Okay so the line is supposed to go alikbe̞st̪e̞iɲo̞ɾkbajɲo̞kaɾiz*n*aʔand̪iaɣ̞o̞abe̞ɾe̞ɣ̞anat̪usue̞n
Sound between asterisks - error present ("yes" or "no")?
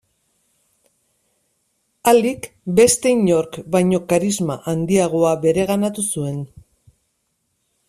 yes